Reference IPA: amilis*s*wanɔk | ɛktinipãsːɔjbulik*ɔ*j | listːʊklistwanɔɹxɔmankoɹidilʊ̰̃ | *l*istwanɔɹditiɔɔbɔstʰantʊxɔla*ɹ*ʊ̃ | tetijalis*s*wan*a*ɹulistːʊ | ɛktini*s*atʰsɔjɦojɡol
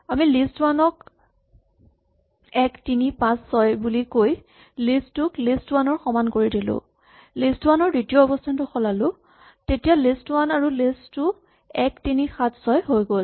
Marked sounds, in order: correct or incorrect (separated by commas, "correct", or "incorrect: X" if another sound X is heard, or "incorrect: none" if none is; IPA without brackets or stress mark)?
incorrect: t, incorrect: o, correct, incorrect: l, incorrect: t, correct, incorrect: x